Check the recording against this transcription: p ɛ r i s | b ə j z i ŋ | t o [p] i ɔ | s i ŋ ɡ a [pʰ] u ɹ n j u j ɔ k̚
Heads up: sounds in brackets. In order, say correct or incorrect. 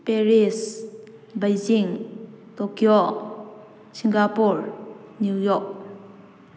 incorrect: k, incorrect: p

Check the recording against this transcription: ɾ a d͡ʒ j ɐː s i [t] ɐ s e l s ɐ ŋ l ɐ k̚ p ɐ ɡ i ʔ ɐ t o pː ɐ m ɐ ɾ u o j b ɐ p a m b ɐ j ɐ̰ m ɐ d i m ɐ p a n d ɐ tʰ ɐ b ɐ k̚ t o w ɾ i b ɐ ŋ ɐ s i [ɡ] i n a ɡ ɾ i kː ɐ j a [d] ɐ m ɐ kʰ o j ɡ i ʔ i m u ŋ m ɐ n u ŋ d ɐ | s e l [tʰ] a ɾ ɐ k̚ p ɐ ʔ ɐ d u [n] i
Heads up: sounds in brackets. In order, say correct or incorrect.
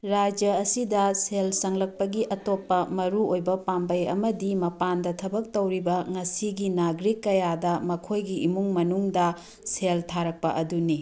incorrect: d, correct, correct, correct, correct

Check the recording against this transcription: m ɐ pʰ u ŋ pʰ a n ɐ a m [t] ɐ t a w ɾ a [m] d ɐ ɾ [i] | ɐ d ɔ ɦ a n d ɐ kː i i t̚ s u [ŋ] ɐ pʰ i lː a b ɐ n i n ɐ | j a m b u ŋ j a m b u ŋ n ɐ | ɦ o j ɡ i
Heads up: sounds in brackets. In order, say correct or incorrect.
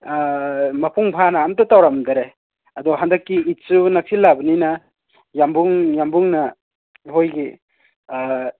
correct, correct, incorrect: e, incorrect: n

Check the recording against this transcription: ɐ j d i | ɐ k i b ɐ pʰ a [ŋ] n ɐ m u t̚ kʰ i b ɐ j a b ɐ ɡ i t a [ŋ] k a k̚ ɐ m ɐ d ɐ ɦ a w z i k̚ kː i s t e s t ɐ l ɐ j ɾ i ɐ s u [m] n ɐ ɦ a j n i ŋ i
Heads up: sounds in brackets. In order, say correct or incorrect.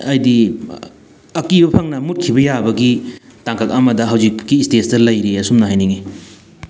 correct, correct, correct

